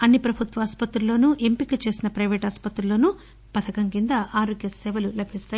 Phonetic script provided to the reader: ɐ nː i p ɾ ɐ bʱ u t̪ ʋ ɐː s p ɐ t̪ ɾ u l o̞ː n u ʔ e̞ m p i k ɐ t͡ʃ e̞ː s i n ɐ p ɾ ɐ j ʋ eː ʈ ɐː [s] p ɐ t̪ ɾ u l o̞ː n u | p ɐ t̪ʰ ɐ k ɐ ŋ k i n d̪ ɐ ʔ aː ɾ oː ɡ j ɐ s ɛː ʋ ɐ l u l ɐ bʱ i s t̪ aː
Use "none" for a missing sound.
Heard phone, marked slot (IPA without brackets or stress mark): s